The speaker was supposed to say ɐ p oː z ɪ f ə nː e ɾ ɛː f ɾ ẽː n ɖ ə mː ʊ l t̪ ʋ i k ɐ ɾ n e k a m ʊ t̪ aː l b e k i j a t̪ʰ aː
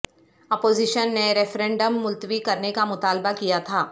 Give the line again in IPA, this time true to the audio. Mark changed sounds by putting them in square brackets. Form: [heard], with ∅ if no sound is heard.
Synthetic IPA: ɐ p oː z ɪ [ʃ] ə nː e ɾ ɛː f ɾ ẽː [ɳ] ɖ ə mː ʊ l t̪ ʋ i k ɐ ɾ n e k a m ʊ t̪ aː l b [a] k i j a t̪ʰ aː